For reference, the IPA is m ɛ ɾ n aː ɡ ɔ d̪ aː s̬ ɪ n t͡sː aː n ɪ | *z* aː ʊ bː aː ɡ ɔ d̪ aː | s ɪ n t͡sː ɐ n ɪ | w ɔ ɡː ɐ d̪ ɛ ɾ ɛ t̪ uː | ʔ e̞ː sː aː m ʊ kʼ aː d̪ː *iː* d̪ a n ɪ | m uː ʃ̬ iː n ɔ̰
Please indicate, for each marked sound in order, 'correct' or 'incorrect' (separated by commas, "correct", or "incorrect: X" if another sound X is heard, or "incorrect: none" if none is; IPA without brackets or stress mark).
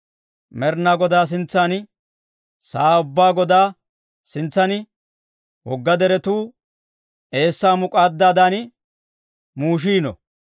incorrect: s, incorrect: aː